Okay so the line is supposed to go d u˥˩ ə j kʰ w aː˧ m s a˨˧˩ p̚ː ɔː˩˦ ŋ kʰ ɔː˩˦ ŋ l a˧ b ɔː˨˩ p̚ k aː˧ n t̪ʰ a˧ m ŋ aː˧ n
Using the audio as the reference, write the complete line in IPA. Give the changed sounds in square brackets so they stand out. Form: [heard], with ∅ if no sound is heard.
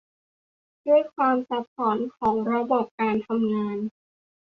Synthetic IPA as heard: d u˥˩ ə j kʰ w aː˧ m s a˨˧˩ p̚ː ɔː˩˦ [n] kʰ ɔː˩˦ ŋ [ɾ] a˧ b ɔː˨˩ p̚ k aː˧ n t̪ʰ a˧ m ŋ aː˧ n